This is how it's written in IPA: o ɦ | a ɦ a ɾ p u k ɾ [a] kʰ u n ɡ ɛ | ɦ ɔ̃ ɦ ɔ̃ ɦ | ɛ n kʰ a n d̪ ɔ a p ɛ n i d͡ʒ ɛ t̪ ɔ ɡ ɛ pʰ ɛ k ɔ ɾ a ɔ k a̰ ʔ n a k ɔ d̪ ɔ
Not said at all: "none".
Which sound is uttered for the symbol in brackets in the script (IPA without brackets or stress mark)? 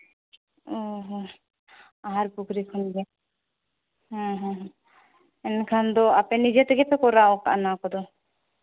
i